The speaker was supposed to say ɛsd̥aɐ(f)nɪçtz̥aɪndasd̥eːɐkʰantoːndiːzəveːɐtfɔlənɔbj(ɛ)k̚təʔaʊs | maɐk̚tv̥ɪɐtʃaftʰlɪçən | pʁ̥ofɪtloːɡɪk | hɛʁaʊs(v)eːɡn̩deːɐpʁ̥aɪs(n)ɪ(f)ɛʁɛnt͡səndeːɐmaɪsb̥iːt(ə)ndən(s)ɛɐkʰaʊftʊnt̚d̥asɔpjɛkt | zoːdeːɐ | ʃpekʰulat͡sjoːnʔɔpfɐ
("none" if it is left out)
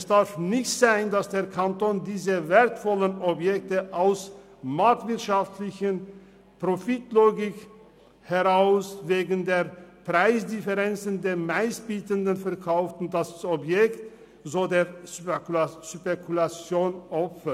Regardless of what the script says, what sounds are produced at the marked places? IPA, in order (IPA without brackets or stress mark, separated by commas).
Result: f, ɛ, v, d, f, ə, f